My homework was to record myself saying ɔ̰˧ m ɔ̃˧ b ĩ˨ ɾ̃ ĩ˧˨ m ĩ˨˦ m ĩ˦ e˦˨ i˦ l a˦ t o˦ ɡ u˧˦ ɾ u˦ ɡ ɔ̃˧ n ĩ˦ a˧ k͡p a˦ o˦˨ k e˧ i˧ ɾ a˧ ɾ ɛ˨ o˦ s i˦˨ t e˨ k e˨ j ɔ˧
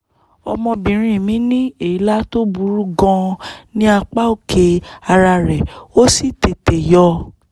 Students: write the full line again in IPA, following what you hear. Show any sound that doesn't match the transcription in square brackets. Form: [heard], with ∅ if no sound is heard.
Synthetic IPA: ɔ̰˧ m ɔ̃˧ b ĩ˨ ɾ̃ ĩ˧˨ m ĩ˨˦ [n] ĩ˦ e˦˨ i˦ l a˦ t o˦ [b] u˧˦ ɾ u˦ ɡ ɔ̃˧ n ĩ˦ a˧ k͡p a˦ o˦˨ k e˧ [a˧] ɾ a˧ ɾ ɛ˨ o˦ s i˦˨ t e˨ [t] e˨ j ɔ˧